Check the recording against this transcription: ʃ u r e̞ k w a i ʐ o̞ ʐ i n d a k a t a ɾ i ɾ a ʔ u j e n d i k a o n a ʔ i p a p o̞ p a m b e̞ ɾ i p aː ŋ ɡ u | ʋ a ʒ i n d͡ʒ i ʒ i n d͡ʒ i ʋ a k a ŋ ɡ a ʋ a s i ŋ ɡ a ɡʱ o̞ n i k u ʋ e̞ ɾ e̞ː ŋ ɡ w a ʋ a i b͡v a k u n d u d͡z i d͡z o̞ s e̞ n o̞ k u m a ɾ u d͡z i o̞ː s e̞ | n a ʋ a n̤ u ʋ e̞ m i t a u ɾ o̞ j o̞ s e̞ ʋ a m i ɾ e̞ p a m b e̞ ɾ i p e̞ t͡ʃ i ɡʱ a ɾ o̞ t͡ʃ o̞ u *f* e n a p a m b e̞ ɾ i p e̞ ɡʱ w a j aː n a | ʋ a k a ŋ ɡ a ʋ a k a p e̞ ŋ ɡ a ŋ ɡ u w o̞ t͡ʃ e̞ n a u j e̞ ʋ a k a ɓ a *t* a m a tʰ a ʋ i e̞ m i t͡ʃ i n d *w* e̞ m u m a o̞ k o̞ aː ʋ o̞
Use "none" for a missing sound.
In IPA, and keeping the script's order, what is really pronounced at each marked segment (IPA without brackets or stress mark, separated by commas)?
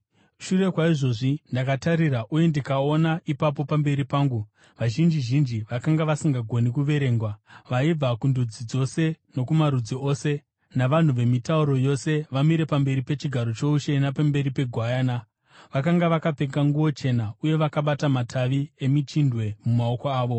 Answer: ʃ, t, w